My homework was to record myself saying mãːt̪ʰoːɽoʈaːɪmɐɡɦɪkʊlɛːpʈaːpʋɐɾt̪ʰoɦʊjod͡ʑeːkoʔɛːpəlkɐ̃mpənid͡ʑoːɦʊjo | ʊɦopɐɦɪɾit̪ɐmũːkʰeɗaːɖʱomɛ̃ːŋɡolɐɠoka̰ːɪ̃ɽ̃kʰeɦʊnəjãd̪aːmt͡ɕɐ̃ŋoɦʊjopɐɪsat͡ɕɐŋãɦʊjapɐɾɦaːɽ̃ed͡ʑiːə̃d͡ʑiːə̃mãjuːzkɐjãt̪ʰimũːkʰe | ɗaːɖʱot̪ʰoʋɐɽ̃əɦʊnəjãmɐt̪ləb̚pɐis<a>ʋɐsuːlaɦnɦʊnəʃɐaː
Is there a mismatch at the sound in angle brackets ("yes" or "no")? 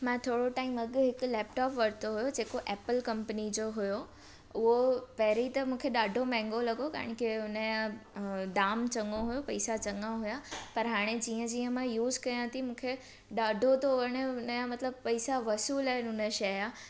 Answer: no